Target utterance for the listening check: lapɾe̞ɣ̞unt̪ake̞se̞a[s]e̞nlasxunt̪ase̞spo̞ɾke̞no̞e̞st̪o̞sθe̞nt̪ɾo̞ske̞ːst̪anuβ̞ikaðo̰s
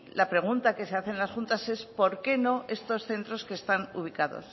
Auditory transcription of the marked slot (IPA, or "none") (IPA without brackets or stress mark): θ